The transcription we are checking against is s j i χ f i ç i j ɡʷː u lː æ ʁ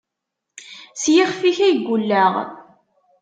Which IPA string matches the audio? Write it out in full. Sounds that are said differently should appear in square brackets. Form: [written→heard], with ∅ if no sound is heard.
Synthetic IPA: s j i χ f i ç [i→æ] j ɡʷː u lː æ ʁ